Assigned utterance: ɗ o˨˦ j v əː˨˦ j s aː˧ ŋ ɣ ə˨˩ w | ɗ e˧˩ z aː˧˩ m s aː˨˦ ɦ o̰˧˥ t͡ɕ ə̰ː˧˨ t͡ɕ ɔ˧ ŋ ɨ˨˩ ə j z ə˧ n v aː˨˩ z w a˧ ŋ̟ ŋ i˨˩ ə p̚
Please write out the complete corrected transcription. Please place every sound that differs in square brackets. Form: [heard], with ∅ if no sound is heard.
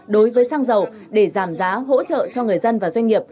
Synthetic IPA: ɗ o˨˦ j v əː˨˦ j s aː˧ ŋ [z] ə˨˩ w | ɗ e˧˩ z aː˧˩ m [z] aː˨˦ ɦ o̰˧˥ t͡ɕ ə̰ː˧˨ t͡ɕ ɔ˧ ŋ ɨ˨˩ ə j z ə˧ n v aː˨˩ z w a˧ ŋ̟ ŋ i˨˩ ə p̚